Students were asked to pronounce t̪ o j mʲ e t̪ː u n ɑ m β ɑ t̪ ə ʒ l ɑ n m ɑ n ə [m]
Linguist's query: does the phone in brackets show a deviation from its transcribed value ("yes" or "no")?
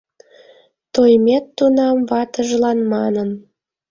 yes